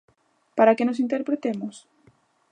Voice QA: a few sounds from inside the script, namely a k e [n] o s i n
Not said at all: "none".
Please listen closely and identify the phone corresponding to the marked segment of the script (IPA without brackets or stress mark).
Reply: n